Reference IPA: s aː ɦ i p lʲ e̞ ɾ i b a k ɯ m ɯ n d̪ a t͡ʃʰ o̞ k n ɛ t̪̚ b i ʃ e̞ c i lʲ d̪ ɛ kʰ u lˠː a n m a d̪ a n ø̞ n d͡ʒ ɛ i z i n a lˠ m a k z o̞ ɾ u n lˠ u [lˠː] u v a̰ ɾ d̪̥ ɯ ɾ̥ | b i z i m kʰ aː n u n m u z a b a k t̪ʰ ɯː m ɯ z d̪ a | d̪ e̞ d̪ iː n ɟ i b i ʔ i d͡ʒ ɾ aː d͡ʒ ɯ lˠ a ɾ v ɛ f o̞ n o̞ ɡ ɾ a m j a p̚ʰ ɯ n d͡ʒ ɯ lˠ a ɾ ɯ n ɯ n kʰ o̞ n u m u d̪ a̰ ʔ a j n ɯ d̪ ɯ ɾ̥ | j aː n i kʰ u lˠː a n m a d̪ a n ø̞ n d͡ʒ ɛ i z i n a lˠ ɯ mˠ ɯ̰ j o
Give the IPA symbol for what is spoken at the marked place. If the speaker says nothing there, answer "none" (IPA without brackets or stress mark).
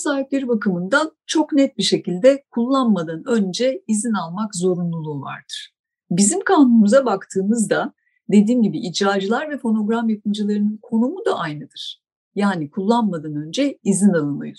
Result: lˠ